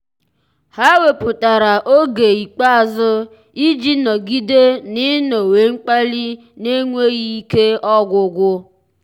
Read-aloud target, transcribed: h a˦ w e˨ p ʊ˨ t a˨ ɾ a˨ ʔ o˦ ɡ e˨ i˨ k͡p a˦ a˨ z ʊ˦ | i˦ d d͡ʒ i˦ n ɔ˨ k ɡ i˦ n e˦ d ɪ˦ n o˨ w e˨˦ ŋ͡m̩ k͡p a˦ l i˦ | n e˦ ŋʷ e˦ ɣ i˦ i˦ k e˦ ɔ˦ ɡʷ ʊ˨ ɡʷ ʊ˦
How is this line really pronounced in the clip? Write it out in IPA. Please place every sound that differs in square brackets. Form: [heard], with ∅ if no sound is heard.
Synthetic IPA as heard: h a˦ w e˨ p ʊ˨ t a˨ ɾ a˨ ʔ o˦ ɡ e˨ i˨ k͡p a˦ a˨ z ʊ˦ | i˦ [∅] d͡ʒ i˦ n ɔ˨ [∅] ɡ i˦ [d] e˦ [n] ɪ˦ n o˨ w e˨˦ ŋ͡m̩ k͡p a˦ l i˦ | n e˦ ŋʷ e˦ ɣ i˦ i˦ k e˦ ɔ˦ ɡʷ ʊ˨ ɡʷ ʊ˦